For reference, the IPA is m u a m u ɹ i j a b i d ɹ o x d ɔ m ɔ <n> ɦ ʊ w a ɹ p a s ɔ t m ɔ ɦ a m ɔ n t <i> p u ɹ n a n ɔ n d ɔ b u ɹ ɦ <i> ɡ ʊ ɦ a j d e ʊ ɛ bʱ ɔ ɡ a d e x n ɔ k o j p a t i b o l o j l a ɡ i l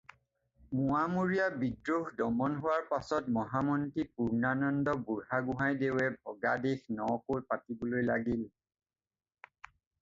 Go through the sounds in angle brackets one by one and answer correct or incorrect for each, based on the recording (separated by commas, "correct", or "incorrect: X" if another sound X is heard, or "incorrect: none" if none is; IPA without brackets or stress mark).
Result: correct, correct, incorrect: a